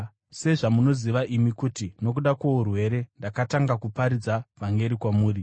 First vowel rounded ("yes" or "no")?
no